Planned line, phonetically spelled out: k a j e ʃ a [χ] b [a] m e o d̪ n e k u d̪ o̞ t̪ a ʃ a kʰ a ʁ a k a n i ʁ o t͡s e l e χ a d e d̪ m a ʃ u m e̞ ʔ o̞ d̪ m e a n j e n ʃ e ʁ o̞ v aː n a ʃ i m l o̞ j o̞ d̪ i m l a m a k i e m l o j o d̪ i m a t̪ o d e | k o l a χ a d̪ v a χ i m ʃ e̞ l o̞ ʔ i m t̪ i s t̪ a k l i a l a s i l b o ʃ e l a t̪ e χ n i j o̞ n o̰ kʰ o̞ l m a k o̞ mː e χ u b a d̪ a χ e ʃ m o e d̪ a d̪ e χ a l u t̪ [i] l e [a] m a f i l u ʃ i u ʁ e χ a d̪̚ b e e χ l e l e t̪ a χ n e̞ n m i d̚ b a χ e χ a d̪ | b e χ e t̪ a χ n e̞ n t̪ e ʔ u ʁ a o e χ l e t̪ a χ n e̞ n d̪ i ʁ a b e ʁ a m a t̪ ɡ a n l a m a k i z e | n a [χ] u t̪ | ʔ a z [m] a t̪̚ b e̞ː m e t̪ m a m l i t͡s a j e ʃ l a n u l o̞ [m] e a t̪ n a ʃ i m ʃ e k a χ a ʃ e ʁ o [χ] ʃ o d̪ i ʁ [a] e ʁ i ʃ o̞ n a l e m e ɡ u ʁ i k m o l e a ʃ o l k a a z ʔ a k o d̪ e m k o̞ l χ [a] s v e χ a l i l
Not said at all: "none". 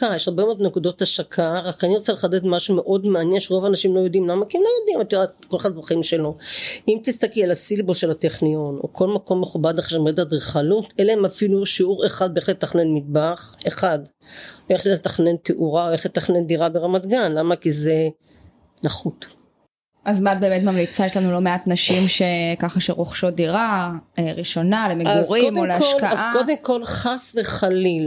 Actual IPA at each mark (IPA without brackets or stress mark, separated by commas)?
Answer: ʁ, e, e, e, χ, m, m, χ, a, a